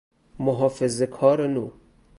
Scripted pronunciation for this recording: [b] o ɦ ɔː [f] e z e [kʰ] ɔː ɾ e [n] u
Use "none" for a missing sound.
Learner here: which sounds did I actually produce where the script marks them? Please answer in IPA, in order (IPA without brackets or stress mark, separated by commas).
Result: m, f, kʰ, n